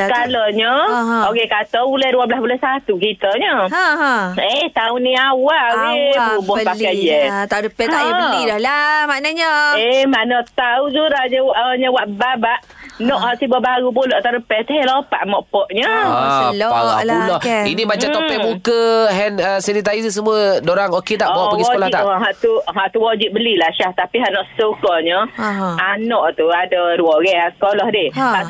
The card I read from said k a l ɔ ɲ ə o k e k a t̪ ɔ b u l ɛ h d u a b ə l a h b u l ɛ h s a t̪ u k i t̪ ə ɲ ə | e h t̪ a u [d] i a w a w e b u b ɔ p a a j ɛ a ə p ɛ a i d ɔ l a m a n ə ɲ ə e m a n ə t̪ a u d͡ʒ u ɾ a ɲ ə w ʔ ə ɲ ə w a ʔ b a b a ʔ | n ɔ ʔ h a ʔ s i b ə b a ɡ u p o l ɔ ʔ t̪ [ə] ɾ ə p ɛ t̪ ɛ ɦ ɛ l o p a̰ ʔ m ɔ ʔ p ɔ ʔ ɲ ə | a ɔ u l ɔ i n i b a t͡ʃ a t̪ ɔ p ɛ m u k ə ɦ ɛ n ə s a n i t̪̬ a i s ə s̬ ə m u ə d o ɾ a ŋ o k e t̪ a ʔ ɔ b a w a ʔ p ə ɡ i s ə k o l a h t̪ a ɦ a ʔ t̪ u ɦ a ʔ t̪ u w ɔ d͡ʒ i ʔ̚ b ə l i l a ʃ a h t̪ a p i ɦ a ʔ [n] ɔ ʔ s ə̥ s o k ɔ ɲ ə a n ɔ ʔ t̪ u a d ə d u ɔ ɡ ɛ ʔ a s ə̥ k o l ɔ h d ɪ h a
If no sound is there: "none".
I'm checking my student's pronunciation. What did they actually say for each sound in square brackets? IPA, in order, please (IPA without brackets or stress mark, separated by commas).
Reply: n, a, n